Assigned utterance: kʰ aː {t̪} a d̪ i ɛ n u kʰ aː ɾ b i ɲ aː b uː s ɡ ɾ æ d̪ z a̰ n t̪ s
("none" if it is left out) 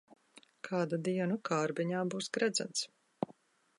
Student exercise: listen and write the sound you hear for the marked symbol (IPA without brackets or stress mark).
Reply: d̪